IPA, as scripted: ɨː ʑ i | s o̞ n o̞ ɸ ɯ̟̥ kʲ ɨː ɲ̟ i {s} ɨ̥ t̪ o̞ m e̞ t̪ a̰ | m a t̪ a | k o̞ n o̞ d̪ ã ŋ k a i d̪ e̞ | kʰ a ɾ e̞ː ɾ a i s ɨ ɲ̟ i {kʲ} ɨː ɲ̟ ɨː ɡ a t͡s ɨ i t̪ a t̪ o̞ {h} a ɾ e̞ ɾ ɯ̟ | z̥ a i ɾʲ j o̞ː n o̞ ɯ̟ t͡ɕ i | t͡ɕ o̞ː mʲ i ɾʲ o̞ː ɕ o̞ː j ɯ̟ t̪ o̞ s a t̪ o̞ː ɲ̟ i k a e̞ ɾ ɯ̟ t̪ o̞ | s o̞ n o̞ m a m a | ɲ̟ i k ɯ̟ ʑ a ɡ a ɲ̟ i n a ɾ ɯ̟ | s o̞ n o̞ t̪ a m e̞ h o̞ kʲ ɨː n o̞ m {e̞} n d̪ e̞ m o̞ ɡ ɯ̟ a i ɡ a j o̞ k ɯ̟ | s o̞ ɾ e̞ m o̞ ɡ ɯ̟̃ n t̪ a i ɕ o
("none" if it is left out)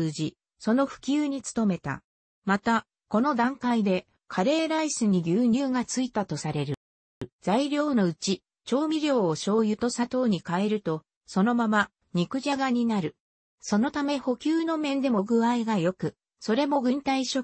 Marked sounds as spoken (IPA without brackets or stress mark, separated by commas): t͡s, ɡʲ, s, ẽ̞